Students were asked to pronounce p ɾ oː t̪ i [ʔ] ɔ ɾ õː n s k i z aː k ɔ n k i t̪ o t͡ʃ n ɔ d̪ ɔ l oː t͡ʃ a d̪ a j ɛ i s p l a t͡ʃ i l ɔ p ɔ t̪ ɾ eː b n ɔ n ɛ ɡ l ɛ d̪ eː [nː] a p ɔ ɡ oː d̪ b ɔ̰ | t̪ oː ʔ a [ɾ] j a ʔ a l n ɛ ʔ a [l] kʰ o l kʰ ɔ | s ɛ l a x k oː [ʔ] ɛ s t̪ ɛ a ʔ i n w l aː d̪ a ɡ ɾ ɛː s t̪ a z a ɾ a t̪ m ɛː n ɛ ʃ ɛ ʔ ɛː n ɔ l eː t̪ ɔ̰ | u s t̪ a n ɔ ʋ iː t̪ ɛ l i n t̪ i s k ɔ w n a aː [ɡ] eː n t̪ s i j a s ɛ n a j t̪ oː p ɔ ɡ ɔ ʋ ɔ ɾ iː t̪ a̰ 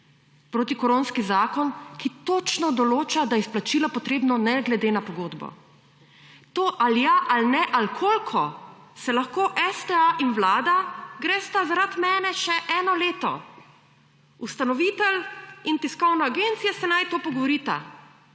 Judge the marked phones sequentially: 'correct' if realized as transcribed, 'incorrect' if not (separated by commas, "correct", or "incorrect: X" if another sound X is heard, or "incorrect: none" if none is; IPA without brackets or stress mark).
incorrect: k, incorrect: n, incorrect: l, correct, correct, correct